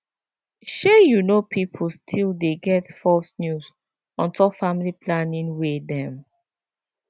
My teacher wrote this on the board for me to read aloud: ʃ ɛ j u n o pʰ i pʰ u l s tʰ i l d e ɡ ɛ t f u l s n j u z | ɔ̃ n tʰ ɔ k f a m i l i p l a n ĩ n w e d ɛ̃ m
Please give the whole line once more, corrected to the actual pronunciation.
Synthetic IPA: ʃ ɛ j u n o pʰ i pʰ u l s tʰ i l d e ɡ ɛ t f ɔ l s n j u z | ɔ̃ n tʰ ɔ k f a m i l i p l a n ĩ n w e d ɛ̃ m